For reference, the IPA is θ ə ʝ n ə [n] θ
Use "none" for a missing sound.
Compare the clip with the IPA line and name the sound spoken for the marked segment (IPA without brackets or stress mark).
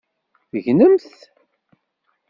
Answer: m